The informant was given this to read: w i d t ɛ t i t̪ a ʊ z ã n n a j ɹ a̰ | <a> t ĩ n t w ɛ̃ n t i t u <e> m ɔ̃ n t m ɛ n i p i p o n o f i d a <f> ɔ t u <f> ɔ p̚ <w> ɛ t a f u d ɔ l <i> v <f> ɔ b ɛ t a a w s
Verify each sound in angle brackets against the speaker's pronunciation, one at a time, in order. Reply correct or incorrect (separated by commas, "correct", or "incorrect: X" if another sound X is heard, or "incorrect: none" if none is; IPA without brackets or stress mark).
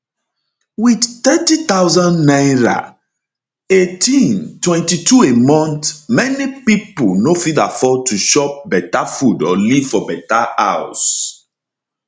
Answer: incorrect: e, correct, correct, incorrect: ʃ, incorrect: b, correct, correct